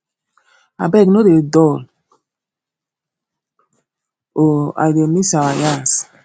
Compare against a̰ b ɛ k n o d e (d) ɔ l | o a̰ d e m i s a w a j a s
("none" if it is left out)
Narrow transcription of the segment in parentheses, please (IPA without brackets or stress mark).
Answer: d